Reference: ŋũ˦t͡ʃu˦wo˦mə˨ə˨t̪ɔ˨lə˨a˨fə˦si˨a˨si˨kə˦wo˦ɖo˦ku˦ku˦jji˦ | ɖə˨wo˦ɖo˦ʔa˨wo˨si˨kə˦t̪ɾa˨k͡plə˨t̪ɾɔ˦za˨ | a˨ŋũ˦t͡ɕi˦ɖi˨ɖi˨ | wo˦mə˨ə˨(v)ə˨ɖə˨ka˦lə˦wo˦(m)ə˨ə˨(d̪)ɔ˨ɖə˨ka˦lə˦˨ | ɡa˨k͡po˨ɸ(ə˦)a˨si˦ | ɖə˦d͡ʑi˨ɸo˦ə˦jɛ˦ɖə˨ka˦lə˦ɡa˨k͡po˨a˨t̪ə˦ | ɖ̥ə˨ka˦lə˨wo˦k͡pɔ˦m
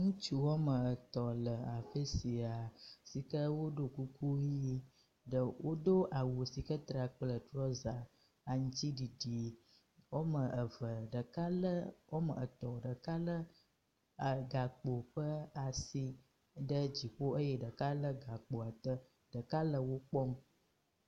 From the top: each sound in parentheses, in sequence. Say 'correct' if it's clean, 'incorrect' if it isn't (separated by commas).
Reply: correct, correct, incorrect, correct